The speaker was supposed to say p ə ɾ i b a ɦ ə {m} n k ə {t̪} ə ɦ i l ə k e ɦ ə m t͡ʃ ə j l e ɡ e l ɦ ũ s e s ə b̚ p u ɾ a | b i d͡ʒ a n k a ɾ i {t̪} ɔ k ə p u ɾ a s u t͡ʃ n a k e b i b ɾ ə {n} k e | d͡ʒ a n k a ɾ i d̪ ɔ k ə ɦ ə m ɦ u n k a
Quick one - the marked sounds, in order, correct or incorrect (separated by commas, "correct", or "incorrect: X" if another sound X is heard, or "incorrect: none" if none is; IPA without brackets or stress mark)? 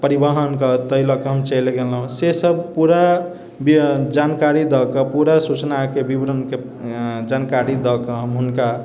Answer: incorrect: none, correct, incorrect: d̪, correct